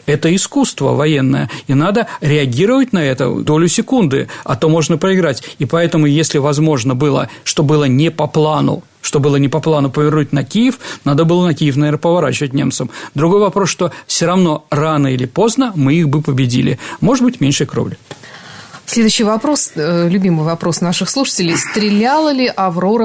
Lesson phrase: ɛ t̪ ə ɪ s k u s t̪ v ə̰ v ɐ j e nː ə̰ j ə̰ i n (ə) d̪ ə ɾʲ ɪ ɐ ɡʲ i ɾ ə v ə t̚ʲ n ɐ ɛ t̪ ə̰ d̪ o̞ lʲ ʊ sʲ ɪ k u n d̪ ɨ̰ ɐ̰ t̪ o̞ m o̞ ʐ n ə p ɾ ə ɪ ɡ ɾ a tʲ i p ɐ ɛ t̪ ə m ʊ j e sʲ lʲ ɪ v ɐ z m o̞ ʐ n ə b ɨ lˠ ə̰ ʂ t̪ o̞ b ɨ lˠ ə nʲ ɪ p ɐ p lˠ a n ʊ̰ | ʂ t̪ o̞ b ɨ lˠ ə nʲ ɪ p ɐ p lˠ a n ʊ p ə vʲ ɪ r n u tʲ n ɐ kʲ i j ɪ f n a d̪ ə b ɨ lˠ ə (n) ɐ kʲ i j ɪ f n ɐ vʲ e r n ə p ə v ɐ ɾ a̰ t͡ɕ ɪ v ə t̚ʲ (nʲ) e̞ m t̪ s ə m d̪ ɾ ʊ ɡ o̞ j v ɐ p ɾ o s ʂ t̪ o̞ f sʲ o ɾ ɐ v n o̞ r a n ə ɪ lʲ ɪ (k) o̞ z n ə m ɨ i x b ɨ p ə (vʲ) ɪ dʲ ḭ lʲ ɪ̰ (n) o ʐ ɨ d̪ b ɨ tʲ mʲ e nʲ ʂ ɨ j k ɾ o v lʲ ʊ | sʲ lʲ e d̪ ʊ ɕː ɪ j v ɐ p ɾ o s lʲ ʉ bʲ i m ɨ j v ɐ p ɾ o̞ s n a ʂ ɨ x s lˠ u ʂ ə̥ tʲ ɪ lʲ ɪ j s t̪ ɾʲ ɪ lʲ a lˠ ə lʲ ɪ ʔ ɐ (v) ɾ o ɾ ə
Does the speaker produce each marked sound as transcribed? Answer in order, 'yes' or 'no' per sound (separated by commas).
no, yes, yes, no, no, no, yes